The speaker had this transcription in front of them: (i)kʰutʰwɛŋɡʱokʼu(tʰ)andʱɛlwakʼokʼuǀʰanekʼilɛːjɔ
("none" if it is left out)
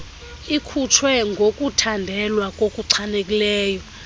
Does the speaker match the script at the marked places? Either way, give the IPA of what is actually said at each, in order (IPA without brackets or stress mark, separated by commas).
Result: i, tʰ